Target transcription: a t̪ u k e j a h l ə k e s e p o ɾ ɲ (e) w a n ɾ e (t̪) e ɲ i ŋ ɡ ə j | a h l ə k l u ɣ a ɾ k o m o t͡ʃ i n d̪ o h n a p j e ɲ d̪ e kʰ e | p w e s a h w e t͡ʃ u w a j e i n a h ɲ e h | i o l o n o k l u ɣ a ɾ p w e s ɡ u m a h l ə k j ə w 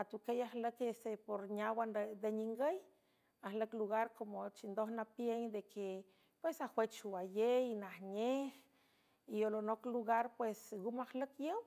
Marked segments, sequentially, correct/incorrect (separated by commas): incorrect, incorrect